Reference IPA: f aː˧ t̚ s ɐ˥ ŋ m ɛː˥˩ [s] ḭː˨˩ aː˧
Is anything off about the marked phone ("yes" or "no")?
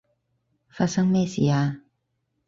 no